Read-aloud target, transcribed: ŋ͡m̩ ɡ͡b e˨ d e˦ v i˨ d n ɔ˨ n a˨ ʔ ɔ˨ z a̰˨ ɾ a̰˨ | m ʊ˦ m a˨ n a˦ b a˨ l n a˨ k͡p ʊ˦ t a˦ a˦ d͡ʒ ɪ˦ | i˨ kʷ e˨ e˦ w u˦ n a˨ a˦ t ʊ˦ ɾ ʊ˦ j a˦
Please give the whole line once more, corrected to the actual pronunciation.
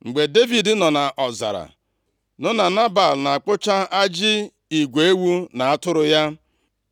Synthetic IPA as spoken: ŋ͡m̩ ɡ͡b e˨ d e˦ v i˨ d n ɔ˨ n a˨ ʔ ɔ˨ z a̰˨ ɾ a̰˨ | n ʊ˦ n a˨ n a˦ b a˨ l n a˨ k͡p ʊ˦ t͡ʃ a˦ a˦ d͡ʒ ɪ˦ | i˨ ɡʷ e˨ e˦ w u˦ n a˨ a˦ t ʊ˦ ɾ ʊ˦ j a˦